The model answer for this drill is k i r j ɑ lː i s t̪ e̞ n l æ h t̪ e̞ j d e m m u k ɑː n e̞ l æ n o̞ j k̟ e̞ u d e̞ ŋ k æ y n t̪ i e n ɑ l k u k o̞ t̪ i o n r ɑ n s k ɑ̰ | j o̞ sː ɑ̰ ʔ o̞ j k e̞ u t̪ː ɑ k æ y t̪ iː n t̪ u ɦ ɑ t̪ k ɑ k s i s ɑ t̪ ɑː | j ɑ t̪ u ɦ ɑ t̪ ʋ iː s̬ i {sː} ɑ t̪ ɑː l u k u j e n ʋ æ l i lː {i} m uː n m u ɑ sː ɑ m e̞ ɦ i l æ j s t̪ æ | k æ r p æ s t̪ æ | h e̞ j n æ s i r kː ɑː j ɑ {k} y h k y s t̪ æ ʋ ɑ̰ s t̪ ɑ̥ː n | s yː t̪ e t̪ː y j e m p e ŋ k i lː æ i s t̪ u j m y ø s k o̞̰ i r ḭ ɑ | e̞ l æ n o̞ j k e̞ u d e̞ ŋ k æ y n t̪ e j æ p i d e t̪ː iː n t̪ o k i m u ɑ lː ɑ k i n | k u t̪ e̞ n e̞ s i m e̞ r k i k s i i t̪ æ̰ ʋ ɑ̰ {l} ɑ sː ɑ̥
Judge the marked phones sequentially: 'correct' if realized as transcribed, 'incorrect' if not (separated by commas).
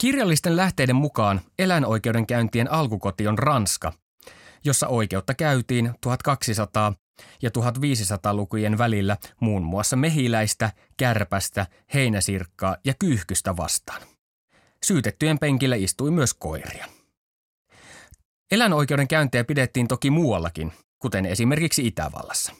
incorrect, incorrect, correct, incorrect